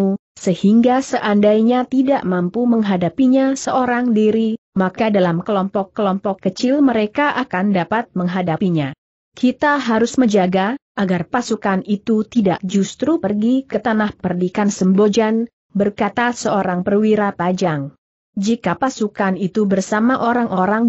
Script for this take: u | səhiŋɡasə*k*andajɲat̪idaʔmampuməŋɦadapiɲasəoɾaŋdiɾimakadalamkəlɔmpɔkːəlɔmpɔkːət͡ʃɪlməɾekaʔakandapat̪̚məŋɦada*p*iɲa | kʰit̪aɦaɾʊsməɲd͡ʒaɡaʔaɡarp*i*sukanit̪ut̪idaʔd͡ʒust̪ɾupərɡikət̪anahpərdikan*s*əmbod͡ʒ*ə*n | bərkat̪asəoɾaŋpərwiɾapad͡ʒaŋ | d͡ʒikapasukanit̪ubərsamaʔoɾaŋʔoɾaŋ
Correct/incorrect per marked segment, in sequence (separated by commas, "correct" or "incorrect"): incorrect, correct, incorrect, correct, incorrect